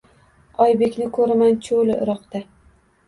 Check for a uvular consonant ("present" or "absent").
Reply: present